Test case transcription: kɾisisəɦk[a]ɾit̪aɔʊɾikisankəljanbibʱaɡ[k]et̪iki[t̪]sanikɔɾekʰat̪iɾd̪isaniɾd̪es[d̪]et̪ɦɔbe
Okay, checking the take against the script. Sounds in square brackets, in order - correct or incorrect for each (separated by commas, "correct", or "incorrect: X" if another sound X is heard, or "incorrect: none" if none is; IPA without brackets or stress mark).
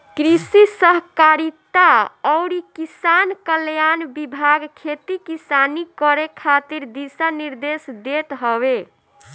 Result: correct, incorrect: kʰ, incorrect: none, correct